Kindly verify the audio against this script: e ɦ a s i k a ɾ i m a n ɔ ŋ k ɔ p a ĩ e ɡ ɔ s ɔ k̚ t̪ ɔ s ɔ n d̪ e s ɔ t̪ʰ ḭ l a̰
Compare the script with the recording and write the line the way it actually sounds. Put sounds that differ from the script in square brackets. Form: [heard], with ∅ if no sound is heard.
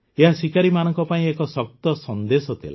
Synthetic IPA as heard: e ɦ a s i k a ɾ i m a n ɔ ŋ k ɔ p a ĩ e [k] ɔ s ɔ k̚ t̪ ɔ s ɔ n d̪ e s ɔ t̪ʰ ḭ l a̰

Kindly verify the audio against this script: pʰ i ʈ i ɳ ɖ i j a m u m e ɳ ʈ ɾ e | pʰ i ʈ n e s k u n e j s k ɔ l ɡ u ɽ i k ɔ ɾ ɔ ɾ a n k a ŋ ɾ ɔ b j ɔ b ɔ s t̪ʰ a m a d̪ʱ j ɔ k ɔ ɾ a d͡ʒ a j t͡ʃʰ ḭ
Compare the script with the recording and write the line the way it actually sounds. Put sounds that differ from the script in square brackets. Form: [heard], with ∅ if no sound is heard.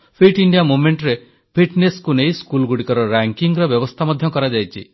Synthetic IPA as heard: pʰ i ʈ i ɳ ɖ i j a m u m e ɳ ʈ ɾ e | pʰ i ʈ n e s k u n e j s k [u] l ɡ u ɽ i k ɔ ɾ ɔ ɾ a [ŋ] k [i] ŋ ɾ ɔ b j ɔ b ɔ s t̪ʰ a m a d̪ʱ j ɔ k ɔ ɾ a d͡ʒ a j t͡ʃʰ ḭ

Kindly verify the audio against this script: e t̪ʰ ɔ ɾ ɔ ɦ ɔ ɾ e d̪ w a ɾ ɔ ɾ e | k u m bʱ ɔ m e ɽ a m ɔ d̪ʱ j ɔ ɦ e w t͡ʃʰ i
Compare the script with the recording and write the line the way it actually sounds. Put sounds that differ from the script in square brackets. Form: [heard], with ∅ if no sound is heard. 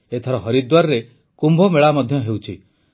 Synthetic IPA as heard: e t̪ʰ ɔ ɾ ɔ ɦ ɔ ɾ [i] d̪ w a ɾ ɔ ɾ e | k u m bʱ ɔ m e [ɭ] a m ɔ d̪ʱ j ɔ ɦ e w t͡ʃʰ i

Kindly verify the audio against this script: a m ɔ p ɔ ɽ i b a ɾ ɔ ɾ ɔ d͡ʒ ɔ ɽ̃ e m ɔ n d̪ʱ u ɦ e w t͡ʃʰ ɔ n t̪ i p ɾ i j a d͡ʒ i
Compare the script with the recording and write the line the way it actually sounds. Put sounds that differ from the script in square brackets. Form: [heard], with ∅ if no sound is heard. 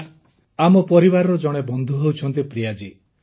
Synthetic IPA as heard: a m ɔ p ɔ [ɾ] i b a ɾ ɔ ɾ ɔ d͡ʒ ɔ ɽ̃ e [b] ɔ n d̪ʱ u ɦ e w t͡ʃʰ ɔ n t̪ i p ɾ i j a d͡ʒ i

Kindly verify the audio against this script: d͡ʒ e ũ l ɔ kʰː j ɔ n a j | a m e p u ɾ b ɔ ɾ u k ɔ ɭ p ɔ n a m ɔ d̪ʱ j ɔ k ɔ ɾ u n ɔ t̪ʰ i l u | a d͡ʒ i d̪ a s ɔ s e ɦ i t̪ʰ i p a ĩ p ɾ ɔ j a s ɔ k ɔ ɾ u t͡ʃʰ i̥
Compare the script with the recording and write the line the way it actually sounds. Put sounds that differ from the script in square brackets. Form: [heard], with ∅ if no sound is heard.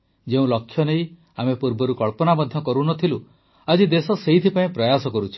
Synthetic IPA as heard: d͡ʒ e ũ l ɔ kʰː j ɔ n [e] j | a m e p u ɾ b ɔ ɾ u k ɔ ɭ p ɔ n a m ɔ d̪ʱ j ɔ k ɔ ɾ u n ɔ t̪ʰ i l u | a d͡ʒ i d̪ [e] s ɔ s e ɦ i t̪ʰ i p a ĩ p ɾ ɔ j a s ɔ k ɔ ɾ u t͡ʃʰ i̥

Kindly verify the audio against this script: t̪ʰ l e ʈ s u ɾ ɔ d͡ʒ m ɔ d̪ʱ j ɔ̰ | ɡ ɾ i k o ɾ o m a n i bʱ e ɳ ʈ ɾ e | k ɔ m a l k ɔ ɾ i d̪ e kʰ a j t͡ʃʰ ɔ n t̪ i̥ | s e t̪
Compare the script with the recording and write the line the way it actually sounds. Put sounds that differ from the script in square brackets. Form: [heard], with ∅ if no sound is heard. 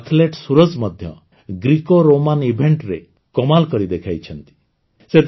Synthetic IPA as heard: t̪ʰ l e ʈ s u ɾ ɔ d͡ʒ m ɔ d̪ʱ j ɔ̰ | ɡ ɾ i k o ɾ o m a n i bʱ e ɳ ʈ ɾ e | k ɔ m a l k ɔ ɾ i d̪ e kʰ a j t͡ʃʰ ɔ n t̪ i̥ | s e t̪

